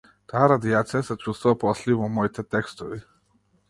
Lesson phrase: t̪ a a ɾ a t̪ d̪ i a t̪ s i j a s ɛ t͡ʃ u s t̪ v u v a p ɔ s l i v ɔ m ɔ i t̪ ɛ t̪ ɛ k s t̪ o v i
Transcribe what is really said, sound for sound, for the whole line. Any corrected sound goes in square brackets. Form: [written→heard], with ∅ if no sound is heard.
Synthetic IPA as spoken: t̪ a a ɾ a [t̪→∅] d̪ i a t̪ s i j a s ɛ t͡ʃ u s t̪ v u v a p ɔ s l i v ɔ m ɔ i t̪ ɛ t̪ ɛ k s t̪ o v i